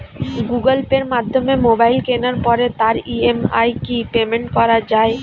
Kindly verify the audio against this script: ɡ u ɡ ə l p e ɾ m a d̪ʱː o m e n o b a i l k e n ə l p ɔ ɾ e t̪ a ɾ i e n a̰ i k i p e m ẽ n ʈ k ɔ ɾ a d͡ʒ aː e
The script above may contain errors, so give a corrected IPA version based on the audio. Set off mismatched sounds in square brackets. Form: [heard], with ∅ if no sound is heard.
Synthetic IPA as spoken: ɡ u ɡ ə l p e ɾ m a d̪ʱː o m e [m] o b a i l k e n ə [ɾ] p ɔ ɾ e t̪ a ɾ i e [m] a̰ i k i p e m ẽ [ɳ] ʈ k ɔ ɾ a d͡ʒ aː e